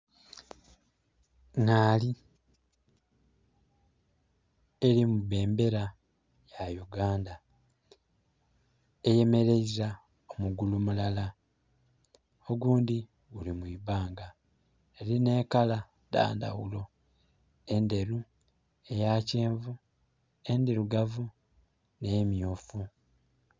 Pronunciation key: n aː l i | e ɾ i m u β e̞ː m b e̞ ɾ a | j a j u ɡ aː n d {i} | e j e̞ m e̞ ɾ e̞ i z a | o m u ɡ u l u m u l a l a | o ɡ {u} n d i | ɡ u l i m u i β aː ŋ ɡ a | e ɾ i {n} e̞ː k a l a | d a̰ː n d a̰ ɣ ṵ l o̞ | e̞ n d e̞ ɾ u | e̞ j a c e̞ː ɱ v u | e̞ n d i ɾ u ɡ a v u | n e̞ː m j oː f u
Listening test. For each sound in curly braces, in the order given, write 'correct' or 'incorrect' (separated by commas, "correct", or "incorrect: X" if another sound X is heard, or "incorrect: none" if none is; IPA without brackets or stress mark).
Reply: incorrect: a, incorrect: uː, correct